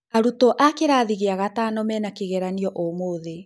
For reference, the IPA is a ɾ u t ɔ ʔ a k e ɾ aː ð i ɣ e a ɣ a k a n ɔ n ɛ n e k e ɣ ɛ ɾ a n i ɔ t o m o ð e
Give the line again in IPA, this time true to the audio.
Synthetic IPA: a ɾ u t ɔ ʔ a k e ɾ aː ð i ɣ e a ɣ a t a n ɔ m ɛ n a k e ɣ ɛ ɾ a n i ɔ ʔ o m o ð e